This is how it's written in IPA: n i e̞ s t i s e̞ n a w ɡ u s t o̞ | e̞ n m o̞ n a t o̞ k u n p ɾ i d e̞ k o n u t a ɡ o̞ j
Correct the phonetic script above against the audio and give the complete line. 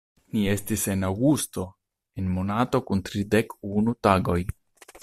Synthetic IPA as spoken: n i e̞ s t i s e̞ n a w ɡ u s t o̞ | e̞ n m o̞ n a t o̞ k u n t ɾ i d e̞ k u n u t a ɡ o̞ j